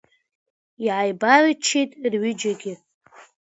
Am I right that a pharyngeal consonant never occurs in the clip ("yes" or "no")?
no